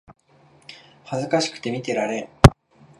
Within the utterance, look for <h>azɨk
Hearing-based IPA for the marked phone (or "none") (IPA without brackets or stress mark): h